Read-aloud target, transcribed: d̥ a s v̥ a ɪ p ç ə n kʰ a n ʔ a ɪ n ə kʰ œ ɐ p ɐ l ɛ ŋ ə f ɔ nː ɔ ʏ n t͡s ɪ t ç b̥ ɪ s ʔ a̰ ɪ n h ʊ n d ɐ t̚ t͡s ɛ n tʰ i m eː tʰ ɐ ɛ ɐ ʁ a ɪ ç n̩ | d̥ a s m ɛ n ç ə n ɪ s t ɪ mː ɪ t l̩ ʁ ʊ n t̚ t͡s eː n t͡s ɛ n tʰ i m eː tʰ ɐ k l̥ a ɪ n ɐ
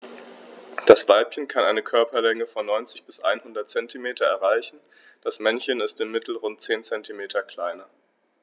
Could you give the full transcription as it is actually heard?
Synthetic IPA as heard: d̥ a s v̥ a ɪ p ç ə n kʰ a n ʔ a ɪ n ə kʰ œ ɐ p ɐ l ɛ ŋ ə f ɔ nː ɔ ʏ n t͡s ɪ ç b̥ ɪ s ʔ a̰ ɪ n h ʊ n d ɐ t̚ t͡s ɛ n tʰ i m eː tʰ ɐ ɛ ɐ ʁ a ɪ ç n̩ | d̥ a s m ɛ n ç ə n ɪ s t ɪ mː ɪ t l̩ ʁ ʊ n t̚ t͡s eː n t͡s ɛ n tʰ i m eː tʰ ɐ k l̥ a ɪ n ɐ